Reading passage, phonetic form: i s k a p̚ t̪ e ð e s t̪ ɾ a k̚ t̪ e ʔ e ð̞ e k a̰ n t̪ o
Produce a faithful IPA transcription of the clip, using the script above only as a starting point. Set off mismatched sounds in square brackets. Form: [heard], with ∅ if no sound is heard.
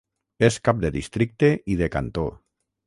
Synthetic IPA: [e] s k a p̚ [d̪] e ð [i] s t̪ ɾ [i] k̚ t̪ e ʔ [i] ð̞ e k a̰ n t̪ o

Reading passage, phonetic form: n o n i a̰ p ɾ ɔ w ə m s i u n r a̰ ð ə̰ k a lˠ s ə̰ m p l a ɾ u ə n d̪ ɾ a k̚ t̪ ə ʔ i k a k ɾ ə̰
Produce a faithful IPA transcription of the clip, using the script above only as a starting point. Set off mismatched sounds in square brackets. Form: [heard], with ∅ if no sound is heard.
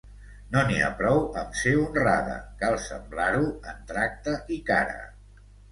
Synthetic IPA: n o n i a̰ p ɾ ɔ w ə m s [e] u n r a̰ ð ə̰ k a lˠ s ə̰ m [b] l a ɾ u ə n [t̪] ɾ a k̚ t̪ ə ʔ i k a [∅] ɾ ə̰

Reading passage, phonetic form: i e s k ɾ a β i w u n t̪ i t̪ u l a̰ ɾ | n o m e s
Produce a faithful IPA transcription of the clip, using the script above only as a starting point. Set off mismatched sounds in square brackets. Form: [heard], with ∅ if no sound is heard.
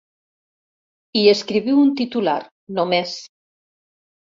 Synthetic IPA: i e s k ɾ [i] β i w u n t̪ i t̪ u l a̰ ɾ | n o m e s

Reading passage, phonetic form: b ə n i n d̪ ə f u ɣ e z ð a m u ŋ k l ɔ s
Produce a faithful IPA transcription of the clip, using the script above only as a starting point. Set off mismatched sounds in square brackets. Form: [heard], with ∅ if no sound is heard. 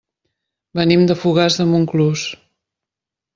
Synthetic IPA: b ə n i [m] d̪ ə f u ɣ [a] z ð [ə] m u ŋ k l [u] s

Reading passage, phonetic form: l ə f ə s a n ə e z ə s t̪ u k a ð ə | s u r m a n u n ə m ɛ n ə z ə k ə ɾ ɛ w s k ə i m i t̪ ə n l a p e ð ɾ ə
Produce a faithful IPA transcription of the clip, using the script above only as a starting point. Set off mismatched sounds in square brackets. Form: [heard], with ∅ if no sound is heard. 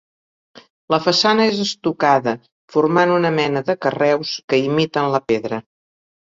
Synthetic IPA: l ə f ə s a n ə e z ə s t̪ u k a ð ə | [f] u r m a n u n ə m ɛ n ə [ð] ə k ə [r] ɛ w s k ə i m i t̪ ə n l [ə] p e ð ɾ ə

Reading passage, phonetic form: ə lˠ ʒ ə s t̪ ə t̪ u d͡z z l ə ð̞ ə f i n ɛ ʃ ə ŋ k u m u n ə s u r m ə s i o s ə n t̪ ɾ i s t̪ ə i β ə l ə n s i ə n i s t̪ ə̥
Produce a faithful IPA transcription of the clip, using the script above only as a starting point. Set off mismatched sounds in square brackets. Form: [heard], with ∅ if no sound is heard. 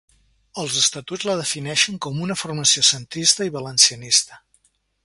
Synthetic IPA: ə lˠ [z] ə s t̪ ə t̪ u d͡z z l ə ð̞ ə f i n ɛ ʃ ə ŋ k [ɔ] m u n ə [f] u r m ə s i o s ə n t̪ ɾ i s t̪ ə i β ə l ə n s i ə n i s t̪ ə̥

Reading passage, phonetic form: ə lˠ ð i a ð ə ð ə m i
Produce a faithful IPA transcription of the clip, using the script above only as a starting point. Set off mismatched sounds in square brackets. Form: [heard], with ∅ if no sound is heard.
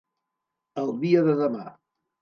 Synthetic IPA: ə lˠ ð i [ə] ð ə ð ə m [a]

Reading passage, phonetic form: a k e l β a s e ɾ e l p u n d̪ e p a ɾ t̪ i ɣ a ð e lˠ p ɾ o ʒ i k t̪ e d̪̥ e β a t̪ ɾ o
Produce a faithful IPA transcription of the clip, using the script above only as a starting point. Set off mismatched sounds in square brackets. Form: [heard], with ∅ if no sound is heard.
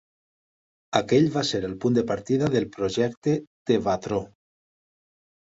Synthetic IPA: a k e [ʎ] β a s e ɾ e l p u n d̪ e p a ɾ t̪ i [ð] a ð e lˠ p ɾ o ʒ [ɛ] k t̪ e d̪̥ e β a t̪ ɾ o

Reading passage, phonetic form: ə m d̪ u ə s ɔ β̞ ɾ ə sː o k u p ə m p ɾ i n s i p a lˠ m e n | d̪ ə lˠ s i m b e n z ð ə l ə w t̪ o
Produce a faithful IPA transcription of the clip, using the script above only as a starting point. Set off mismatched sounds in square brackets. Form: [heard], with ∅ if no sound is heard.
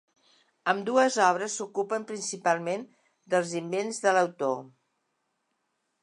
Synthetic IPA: ə m d̪ u ə [z] ɔ β̞ ɾ ə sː [u] k u p ə m p ɾ i n s i p a lˠ m e n | d̪ ə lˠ [z] i m b e n z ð ə l ə w t̪ o

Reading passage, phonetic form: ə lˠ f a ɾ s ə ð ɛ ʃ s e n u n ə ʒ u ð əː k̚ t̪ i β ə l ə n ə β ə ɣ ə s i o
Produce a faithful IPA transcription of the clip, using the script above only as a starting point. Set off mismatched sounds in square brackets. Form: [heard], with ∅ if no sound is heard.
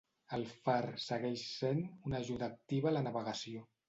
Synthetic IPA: ə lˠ f a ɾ s ə [ɣ] ɛ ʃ s e n u n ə ʒ u ð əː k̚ t̪ i β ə l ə n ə β ə ɣ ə s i o

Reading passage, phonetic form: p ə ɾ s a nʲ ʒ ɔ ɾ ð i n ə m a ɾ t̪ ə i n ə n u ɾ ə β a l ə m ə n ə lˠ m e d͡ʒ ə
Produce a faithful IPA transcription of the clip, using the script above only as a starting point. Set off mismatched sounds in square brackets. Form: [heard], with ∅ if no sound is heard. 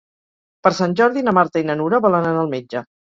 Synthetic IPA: p ə ɾ s a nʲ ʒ ɔ ɾ ð i n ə m a ɾ t̪ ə i n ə n u ɾ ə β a l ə [n] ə n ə lˠ m e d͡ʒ ə

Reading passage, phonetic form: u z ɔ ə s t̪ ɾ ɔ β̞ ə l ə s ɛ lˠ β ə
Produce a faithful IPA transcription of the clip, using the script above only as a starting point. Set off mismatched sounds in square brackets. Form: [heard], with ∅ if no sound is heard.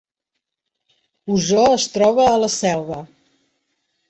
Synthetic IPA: u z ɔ ə s t̪ ɾ ɔ β̞ [əː] l ə s ɛ lˠ β ə

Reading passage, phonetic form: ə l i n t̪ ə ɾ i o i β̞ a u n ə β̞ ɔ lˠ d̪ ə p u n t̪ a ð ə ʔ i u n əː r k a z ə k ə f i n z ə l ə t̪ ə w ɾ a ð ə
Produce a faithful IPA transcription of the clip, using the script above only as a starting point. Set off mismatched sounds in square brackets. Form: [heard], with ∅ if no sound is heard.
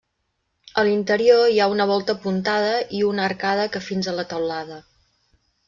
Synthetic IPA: ə l i n t̪ ə ɾ i o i [∅] a u n ə β̞ ɔ lˠ [t̪] ə p u n t̪ a ð ə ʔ i u n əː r k a [ð] ə k ə f i n z ə l ə t̪ ə w [l] a ð ə

